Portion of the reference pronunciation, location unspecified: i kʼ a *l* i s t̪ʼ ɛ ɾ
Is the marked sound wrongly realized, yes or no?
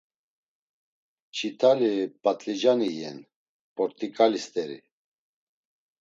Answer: no